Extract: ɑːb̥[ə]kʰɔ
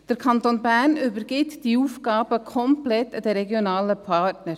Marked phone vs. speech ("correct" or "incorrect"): correct